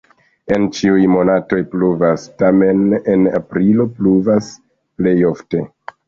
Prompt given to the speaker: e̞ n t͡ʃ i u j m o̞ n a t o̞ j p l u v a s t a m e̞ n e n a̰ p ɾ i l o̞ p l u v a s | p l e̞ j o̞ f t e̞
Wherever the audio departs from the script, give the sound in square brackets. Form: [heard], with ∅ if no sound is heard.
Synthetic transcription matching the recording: e̞ n t͡ʃ i u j m o̞ n a t o̞ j p l u v a s t a m e̞ n e n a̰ p ɾ i l o̞ p l u v a s | p l e̞ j o̞ f t e̞